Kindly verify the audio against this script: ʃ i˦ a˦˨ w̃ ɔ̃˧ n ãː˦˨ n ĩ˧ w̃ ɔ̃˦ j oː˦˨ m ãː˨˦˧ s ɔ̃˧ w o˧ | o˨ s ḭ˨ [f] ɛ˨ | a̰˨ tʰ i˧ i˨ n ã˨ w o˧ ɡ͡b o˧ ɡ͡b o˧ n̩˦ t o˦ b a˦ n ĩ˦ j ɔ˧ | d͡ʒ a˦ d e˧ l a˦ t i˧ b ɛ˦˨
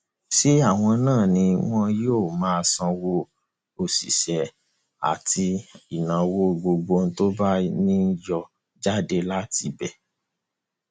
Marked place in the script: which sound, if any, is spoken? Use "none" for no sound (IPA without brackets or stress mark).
ʃ